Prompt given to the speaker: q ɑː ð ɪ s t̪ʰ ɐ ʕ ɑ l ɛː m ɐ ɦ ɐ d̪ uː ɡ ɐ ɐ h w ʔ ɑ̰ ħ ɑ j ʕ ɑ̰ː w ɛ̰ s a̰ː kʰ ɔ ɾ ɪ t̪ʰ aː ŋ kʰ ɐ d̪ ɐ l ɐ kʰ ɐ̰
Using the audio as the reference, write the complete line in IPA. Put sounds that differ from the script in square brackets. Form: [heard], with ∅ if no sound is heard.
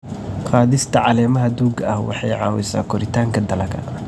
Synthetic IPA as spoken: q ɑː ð ɪ s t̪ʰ ɐ ʕ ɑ l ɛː m ɐ ɦ ɐ d̪ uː ɡ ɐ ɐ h w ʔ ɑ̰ ħ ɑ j ʕ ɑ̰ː w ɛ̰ s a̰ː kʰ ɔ ɾ ɪ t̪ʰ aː ŋ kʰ ɐ d̪ ɐ l ɐ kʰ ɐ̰